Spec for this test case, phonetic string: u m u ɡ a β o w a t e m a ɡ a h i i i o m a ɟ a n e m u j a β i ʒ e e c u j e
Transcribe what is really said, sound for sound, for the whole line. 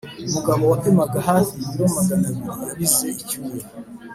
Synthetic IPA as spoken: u m u ɡ a β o w a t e m a ɡ a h a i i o m a ɡ a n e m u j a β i z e i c u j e